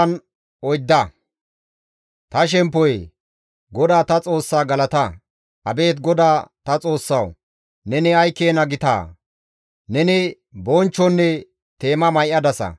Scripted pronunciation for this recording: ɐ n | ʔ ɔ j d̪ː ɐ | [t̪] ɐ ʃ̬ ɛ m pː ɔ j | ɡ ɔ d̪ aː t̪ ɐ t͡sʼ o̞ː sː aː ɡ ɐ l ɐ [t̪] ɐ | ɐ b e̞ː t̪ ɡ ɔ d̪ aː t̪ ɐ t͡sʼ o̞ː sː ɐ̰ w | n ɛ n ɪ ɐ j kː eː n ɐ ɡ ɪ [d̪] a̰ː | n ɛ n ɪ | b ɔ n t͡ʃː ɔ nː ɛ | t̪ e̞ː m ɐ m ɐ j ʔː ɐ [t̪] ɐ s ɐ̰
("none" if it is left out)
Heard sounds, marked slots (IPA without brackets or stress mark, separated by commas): t̪, t̪, t̪, d̪